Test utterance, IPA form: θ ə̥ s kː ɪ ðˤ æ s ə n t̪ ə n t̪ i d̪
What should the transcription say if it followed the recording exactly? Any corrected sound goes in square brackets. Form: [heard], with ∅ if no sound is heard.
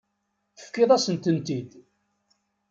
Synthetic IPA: θ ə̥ [f] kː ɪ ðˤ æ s ə n t̪ ə n t̪ i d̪